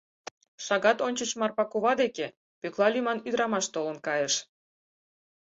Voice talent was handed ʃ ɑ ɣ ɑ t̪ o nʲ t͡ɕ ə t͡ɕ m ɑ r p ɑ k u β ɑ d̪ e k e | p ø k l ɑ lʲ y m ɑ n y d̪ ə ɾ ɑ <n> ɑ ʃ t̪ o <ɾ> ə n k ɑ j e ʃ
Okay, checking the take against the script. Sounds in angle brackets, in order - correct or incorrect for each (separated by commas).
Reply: incorrect, incorrect